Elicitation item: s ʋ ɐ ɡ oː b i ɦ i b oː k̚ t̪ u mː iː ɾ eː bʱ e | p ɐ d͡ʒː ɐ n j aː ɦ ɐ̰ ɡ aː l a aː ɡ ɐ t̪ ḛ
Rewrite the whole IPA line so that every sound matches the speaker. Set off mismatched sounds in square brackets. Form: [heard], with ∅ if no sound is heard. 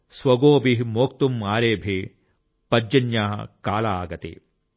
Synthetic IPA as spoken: s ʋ ɐ ɡ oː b i ɦ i [m] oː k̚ t̪ u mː [aː] ɾ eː bʱ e | p ɐ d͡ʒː ɐ n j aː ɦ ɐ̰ [k] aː l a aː ɡ ɐ t̪ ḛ